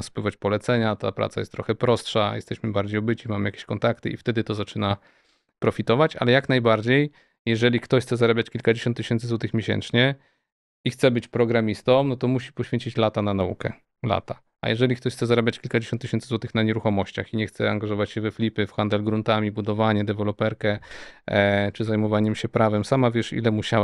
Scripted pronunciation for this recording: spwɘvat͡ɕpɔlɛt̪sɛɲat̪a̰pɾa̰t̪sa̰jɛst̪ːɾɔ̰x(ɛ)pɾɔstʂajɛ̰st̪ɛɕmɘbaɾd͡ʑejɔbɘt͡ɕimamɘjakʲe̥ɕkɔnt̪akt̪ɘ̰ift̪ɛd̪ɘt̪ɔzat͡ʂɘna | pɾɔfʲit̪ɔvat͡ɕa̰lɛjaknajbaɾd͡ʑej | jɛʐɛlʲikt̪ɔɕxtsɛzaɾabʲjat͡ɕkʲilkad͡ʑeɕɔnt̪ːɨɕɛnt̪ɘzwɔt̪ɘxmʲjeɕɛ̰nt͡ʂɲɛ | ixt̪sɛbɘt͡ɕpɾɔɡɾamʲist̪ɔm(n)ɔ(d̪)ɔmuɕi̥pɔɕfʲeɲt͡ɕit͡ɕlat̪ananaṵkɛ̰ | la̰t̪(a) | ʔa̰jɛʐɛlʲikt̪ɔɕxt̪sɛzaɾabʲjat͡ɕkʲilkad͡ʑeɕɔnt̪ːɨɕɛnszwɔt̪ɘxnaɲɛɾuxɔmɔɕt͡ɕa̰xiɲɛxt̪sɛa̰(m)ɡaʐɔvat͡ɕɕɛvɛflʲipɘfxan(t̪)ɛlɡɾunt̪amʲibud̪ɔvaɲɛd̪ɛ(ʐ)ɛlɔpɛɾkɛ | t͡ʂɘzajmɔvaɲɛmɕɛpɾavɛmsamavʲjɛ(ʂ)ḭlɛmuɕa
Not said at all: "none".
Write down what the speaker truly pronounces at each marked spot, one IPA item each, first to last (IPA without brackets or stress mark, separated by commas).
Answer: ɛ, n, t̪, a, ŋ, d̪, v, ʂ